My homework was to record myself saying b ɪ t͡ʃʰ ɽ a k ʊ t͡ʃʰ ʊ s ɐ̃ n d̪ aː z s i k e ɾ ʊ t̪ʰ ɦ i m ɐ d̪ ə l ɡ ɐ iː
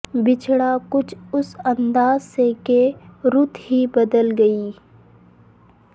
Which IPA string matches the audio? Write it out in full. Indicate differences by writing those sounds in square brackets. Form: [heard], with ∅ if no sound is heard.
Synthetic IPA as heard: b ɪ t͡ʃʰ ɽ a k ʊ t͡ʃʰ ʊ s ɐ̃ n d̪ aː z s [e] k e ɾ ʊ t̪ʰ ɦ i [b] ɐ d̪ ə l ɡ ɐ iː